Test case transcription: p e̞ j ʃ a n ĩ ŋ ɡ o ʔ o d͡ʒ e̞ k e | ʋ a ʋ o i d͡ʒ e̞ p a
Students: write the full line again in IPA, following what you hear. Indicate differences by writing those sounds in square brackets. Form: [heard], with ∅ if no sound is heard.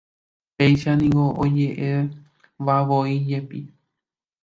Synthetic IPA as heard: p e̞ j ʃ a n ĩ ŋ ɡ o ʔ o d͡ʒ e̞ [ʔ] e | ʋ a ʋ o i d͡ʒ e̞ p [i]